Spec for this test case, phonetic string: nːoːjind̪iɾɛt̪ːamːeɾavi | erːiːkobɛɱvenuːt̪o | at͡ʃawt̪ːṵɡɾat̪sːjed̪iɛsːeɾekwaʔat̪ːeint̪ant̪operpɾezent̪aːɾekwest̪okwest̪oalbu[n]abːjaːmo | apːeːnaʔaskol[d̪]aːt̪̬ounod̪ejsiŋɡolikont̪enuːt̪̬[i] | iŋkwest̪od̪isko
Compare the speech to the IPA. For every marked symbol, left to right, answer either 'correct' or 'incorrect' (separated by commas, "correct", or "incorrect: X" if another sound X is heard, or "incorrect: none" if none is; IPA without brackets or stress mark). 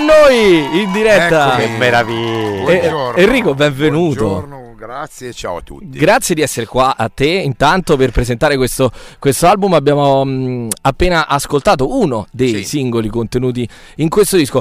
incorrect: m, incorrect: t̪, correct